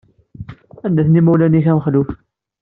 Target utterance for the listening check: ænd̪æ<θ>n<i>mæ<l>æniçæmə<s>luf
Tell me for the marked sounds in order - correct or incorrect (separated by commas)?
correct, correct, correct, incorrect